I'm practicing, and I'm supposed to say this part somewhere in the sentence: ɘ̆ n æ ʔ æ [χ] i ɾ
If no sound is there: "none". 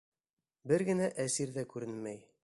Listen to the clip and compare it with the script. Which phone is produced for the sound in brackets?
s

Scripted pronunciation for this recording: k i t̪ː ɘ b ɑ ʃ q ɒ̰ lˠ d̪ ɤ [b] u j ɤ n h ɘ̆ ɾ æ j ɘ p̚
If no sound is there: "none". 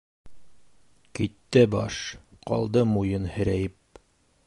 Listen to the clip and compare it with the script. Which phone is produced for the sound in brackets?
m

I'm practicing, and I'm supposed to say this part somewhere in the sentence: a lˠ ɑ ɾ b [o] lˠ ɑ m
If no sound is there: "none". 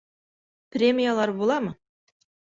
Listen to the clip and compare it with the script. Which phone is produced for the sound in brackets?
o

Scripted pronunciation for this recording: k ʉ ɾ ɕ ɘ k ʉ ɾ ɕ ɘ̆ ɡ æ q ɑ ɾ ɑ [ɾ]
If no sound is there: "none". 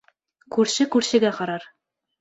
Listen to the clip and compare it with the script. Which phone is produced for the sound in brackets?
ɾ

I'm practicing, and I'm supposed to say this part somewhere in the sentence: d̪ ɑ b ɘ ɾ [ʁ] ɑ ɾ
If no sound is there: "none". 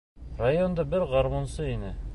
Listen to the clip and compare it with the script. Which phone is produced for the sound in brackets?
ʁ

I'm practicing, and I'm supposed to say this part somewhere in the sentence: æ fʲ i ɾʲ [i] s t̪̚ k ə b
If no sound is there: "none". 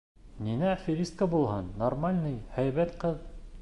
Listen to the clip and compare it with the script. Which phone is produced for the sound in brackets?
i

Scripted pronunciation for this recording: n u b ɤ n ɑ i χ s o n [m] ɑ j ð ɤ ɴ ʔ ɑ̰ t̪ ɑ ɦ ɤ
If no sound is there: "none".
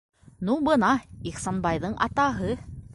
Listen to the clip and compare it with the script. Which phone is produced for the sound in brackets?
b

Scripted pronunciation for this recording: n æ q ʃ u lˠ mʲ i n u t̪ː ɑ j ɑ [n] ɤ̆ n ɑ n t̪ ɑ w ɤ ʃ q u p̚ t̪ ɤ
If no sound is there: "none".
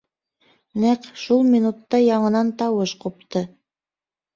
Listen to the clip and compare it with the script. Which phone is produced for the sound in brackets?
ɴ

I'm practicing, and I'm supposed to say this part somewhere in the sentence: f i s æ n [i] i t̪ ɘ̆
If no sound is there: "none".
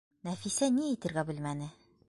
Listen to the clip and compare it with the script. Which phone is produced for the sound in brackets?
i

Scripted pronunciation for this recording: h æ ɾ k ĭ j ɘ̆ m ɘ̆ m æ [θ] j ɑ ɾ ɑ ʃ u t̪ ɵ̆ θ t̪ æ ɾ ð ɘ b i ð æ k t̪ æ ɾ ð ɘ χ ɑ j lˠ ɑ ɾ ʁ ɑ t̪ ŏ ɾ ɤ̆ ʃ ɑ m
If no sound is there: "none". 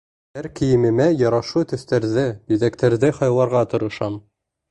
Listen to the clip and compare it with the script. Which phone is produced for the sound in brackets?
none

